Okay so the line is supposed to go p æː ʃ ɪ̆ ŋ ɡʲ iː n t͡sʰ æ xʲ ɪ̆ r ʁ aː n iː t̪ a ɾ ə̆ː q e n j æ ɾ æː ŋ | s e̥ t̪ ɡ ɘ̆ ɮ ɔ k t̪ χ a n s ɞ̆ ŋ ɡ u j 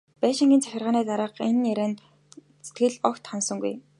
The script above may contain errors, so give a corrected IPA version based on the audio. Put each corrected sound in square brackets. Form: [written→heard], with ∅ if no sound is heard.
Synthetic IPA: p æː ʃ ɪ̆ ŋ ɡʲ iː n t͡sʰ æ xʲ ɪ̆ r ʁ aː n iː t̪ a ɾ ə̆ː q e n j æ ɾ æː [ŋ→n] | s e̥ t̪ ɡ ɘ̆ ɮ ɔ k t̪ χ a n s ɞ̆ ŋ ɡ u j